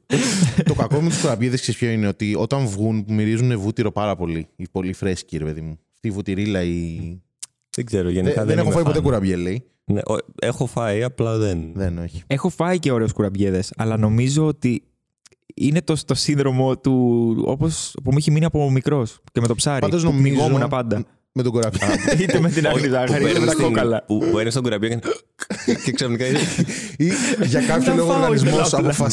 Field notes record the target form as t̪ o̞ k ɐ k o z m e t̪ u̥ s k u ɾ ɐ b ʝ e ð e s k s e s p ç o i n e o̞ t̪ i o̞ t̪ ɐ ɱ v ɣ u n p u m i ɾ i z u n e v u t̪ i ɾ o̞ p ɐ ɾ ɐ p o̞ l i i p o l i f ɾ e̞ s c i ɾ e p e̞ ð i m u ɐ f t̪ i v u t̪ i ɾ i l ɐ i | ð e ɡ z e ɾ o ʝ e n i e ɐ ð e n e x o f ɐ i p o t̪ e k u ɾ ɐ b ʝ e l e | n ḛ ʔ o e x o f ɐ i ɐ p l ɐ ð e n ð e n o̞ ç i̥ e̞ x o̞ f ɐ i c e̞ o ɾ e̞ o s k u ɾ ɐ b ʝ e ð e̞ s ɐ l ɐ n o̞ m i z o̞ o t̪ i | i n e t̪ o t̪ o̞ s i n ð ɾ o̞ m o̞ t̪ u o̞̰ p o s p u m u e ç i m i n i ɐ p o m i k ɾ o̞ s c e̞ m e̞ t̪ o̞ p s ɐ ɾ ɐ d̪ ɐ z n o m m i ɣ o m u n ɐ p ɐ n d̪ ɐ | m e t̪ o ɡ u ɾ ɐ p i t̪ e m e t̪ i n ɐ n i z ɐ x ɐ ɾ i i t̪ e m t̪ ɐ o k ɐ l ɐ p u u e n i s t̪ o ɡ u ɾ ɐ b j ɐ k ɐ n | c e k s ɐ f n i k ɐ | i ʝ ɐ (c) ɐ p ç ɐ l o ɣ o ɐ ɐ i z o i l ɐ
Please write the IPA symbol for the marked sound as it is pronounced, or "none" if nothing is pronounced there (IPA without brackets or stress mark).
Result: k